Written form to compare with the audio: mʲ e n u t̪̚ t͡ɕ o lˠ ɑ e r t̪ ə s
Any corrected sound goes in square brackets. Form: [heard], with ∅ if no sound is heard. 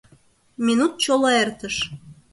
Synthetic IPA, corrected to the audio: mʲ [i] n u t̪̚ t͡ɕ o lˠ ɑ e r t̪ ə [ʃ]